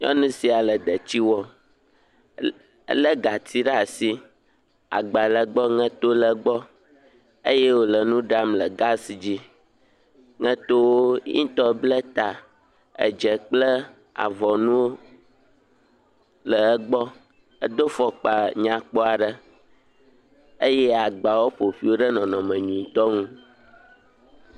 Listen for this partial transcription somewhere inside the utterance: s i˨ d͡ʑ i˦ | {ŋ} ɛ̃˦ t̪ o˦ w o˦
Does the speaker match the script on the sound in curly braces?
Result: yes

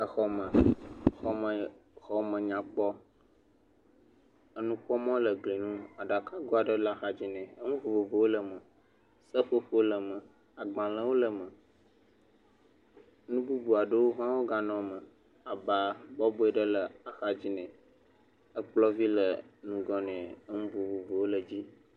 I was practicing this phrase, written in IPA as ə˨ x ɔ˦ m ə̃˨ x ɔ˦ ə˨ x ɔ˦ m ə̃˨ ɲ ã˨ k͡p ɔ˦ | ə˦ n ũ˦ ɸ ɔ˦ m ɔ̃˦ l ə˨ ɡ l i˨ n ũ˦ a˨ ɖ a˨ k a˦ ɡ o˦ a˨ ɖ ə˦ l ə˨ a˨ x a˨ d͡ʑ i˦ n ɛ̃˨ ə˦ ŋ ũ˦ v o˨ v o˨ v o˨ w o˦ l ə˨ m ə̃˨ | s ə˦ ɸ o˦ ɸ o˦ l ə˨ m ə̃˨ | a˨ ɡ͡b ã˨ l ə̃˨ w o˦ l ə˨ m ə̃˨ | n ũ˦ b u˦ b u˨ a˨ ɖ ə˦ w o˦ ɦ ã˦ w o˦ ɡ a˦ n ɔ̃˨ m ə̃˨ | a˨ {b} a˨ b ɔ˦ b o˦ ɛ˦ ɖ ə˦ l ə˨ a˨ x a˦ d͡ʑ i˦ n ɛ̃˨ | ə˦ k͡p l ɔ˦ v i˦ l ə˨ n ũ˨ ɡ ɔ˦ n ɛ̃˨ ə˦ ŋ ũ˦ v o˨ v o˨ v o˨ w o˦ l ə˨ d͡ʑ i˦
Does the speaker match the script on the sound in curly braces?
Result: yes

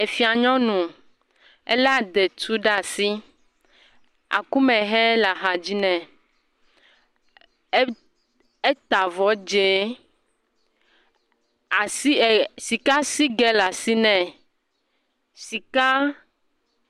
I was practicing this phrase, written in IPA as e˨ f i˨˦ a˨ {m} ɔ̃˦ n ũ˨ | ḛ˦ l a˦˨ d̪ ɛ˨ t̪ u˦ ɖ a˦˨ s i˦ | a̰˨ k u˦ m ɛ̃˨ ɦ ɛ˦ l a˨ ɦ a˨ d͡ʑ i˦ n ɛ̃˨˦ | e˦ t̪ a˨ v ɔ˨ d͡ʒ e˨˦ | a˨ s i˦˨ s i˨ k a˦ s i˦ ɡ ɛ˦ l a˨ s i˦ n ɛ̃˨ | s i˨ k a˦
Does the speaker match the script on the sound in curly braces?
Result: no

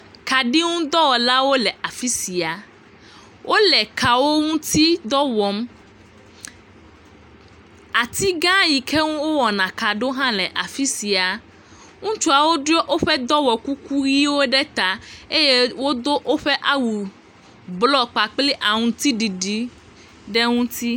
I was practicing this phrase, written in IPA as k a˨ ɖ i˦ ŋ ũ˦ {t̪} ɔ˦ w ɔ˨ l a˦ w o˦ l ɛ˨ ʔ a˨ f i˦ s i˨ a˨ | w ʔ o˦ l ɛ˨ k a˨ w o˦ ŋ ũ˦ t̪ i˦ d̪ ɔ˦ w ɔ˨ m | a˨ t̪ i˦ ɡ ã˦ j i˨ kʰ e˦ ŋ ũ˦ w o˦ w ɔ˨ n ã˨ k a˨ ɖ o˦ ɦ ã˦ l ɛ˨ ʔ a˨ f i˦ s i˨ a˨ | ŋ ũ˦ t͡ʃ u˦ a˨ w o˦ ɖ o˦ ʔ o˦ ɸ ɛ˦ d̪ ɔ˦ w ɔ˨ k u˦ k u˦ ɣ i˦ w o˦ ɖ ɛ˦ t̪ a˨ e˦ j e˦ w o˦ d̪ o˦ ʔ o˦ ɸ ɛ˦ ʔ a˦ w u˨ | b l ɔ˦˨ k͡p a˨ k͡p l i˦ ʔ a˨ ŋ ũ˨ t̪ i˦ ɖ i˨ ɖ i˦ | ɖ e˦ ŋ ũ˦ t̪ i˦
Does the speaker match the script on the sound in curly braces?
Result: no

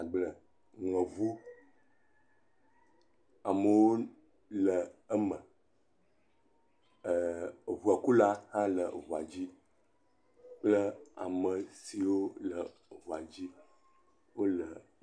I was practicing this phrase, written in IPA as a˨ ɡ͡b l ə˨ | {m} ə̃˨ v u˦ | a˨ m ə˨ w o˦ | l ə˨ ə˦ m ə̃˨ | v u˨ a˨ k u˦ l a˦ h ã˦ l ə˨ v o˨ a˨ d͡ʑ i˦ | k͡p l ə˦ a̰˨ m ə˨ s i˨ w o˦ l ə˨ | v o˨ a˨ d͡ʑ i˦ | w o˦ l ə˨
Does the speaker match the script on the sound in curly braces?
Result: no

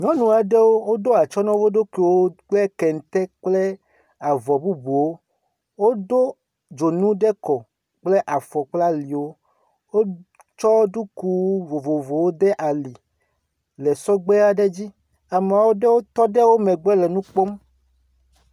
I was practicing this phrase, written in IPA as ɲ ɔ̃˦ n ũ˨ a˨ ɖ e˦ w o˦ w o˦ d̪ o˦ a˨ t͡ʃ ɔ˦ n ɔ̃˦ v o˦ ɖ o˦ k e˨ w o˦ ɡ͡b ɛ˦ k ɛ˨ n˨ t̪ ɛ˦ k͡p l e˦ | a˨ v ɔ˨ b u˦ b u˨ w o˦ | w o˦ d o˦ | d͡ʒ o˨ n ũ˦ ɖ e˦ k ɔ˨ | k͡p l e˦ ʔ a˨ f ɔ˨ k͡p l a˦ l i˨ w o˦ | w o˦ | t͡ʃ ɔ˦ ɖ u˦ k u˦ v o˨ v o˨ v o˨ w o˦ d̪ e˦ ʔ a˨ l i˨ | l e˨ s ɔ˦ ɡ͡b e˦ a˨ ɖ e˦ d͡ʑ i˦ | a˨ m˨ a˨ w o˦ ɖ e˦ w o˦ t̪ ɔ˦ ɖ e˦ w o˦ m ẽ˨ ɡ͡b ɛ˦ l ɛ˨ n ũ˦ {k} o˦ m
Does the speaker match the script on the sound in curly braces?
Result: no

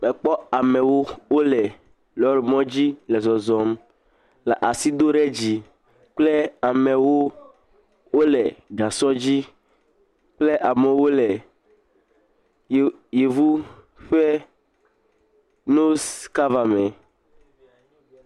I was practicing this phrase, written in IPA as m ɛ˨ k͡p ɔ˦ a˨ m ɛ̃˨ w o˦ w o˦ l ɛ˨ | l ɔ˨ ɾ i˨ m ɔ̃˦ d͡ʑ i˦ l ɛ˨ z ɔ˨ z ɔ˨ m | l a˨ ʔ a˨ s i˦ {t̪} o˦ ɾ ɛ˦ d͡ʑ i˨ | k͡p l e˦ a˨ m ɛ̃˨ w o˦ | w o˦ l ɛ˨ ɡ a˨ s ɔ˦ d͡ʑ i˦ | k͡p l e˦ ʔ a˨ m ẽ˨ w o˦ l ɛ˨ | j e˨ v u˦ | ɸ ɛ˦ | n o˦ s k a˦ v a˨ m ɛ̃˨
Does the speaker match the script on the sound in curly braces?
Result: no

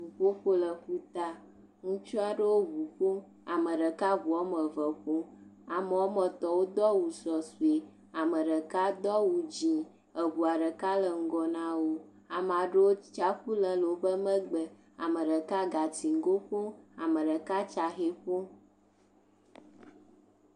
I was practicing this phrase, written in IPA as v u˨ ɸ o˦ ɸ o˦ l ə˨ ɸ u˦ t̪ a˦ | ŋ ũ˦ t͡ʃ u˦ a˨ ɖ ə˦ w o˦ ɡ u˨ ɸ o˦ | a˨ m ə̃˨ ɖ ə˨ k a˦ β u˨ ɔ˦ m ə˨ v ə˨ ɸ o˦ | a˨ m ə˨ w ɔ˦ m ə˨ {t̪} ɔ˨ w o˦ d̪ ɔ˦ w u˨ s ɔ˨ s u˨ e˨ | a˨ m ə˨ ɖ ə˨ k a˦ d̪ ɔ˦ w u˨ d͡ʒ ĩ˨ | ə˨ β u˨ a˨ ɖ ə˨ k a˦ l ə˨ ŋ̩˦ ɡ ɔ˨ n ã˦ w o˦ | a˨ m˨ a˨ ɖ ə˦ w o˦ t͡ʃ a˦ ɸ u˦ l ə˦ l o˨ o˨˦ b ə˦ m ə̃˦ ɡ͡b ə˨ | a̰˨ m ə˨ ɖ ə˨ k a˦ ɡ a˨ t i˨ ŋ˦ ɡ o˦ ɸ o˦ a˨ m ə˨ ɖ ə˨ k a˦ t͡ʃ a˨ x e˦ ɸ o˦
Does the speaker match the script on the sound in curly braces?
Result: yes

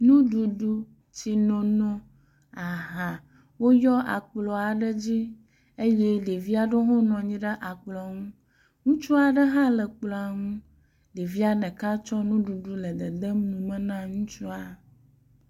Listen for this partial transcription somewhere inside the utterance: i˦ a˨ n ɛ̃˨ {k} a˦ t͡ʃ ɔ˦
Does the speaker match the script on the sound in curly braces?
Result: yes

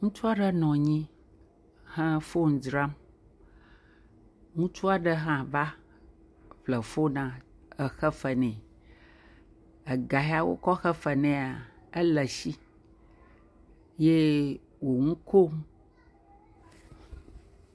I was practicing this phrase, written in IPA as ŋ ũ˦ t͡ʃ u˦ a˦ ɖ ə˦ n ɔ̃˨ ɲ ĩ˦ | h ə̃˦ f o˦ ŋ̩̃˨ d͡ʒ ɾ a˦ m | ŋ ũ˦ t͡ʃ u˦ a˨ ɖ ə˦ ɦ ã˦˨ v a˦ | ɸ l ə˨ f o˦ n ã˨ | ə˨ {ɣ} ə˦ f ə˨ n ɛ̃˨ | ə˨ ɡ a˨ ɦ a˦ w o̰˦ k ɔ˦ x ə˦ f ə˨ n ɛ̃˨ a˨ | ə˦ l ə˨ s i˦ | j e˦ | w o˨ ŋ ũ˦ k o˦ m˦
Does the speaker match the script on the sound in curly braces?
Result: no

